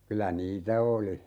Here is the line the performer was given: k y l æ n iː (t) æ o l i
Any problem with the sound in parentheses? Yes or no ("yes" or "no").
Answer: no